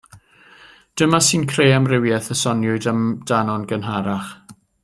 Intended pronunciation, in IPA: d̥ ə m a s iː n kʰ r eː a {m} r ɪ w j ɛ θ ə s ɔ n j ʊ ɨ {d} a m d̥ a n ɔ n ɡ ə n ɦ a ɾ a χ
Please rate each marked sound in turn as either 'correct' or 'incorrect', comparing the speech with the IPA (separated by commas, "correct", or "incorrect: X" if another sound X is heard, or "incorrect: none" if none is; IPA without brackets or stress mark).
correct, correct